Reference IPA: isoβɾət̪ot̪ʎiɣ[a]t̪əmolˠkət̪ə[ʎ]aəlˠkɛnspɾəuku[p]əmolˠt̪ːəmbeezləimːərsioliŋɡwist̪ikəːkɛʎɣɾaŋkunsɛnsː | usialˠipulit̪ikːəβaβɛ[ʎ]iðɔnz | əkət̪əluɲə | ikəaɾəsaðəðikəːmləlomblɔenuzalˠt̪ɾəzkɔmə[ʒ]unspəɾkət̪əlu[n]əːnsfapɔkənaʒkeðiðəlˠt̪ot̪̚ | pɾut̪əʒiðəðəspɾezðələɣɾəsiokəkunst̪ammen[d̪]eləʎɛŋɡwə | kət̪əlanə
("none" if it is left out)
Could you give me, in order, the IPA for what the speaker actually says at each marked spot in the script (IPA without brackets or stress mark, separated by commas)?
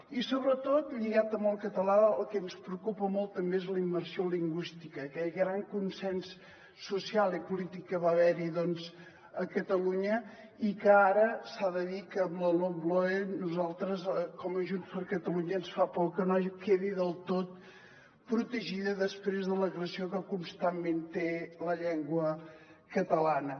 a, l, p, ɾ, ʒ, ɲ, t̪